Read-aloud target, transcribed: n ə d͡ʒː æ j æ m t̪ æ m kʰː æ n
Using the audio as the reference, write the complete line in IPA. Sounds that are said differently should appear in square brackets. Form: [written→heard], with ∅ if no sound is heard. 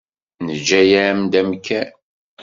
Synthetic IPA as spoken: n ə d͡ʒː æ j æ m [t̪→d̪] æ m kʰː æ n